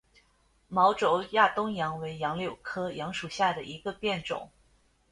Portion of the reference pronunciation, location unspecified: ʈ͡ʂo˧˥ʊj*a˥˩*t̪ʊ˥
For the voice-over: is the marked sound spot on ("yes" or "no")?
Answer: yes